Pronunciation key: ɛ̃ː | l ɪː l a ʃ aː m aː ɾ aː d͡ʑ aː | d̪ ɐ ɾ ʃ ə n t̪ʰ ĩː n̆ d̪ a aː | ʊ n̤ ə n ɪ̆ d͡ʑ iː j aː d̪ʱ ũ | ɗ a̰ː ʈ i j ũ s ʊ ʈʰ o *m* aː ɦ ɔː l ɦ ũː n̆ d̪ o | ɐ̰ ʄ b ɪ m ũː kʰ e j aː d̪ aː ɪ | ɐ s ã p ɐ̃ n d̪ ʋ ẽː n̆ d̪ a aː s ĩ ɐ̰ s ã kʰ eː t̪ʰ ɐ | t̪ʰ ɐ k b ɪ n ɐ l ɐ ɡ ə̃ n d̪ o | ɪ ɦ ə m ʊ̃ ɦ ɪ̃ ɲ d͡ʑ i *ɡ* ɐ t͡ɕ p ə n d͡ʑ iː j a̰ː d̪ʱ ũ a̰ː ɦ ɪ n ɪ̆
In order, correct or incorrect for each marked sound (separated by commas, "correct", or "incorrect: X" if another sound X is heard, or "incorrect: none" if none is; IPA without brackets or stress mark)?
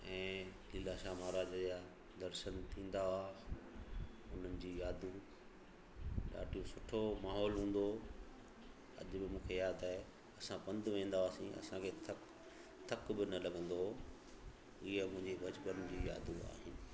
correct, incorrect: b